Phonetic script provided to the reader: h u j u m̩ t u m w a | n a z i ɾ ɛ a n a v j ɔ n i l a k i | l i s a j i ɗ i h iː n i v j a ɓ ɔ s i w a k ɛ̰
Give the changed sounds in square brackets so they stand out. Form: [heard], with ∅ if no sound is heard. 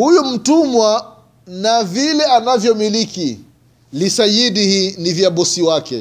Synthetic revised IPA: h u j u m̩ t u m w a | n a [v] i [l] ɛ a n a v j ɔ [m] i l [i] k i | l i s a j i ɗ i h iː n i v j a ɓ ɔ s i w a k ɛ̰